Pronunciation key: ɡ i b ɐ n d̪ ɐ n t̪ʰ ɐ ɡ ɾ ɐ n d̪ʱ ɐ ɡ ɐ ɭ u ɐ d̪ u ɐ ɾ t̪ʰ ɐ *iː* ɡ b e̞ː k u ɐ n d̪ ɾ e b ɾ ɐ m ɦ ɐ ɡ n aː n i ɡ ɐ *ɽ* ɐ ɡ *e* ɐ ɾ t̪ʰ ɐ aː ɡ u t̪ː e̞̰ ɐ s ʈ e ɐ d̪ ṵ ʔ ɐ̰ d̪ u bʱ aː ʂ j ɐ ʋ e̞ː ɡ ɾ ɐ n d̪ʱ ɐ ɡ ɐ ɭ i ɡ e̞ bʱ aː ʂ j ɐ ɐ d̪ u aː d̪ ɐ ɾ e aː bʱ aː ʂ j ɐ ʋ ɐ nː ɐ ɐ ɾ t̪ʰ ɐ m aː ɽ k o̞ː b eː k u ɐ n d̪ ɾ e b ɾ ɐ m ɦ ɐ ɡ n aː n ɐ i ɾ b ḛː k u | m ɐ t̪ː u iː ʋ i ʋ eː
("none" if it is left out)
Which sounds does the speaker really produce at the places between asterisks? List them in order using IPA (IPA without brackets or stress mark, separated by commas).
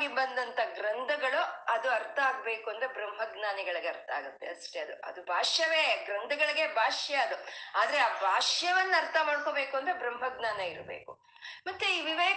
aː, ɭ, e